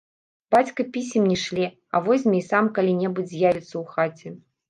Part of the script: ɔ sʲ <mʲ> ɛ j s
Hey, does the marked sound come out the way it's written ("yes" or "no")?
yes